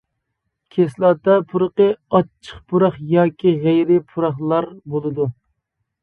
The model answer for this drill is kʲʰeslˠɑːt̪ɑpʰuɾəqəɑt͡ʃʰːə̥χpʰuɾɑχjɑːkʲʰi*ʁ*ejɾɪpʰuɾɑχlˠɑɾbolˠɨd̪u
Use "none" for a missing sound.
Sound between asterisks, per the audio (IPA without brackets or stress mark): ʁ